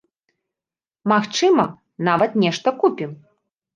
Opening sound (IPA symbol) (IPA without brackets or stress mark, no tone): m